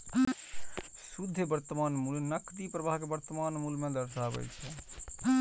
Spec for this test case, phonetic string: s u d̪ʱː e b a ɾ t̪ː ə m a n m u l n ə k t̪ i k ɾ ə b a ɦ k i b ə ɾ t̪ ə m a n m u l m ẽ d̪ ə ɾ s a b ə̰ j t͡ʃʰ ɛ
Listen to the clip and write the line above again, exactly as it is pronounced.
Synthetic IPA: s u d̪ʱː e b ə ɾ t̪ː ə m a n m u l n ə k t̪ i p ɾ ə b a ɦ k e b ə ɾ t̪ ə m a n m u l m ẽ d̪ ə ɾ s a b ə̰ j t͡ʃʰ ɛ

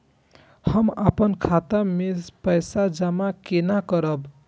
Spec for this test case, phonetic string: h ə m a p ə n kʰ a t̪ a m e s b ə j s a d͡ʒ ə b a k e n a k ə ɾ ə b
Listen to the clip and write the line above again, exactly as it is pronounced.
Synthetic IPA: h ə m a p ə n kʰ a t̪ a m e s p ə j s a d͡ʒ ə m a k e n a k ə ɾ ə b

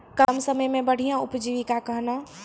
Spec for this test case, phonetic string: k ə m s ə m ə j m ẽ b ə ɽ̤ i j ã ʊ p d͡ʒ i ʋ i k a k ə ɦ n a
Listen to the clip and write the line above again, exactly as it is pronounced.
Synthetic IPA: k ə m s ə m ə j m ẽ b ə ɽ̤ i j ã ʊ p d͡ʒ i ʋ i k a k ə ɦ n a

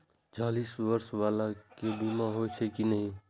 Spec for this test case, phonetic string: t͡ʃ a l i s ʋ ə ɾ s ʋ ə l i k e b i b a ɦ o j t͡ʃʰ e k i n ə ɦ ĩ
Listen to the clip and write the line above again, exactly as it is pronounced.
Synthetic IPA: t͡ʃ a l i s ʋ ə ɾ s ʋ a l a k e b i m a ɦ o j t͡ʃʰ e k i n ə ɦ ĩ

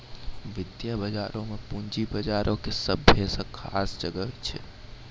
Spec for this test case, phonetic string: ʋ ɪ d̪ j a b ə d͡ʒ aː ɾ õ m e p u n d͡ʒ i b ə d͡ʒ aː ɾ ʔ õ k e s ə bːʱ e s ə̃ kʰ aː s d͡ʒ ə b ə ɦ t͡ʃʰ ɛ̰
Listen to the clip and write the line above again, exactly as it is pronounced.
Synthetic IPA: ʋ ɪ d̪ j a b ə d͡ʒ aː ɾ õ m e p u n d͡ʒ i b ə d͡ʒ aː ɾ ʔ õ k e s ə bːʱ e s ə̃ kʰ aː s d͡ʒ ə ɡ ə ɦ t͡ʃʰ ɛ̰

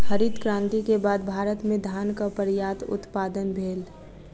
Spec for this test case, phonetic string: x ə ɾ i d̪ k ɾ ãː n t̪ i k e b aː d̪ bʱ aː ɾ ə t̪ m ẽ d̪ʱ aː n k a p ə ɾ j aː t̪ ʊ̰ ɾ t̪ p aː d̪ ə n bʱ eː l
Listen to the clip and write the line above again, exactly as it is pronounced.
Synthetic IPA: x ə ɾ i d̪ k ɾ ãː n t̪ i k e b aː d̪ bʱ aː ɾ ə t̪ m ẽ d̪ʱ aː n k a p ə ɾ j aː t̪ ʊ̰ t̪ p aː d̪ ə n bʱ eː l

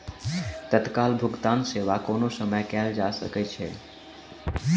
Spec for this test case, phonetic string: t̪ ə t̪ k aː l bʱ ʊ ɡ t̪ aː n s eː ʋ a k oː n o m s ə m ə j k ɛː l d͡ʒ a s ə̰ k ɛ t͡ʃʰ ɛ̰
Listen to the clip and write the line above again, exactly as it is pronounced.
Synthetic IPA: t̪ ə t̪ k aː l bʱ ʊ ɡ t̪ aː n s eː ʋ a k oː n o s ə m ə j k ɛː l d͡ʒ a s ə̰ k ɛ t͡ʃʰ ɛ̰

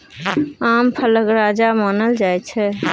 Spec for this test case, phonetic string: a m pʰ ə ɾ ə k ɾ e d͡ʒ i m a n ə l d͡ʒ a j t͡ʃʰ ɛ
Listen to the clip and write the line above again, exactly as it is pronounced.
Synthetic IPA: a m pʰ ə l ə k ɾ a d͡ʒ a m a n ə l d͡ʒ a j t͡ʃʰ ɛ

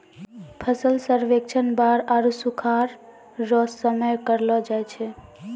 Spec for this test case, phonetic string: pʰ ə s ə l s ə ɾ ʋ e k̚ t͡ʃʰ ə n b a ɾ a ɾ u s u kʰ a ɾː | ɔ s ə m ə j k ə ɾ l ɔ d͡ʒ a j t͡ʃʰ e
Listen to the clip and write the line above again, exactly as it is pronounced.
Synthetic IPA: pʰ ə s ə l s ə ɾ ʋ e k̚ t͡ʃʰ ə n b a ɾ a ɾ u s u kʰ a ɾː | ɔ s ə m ə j k ə ɾ l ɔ d͡ʒ a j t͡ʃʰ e

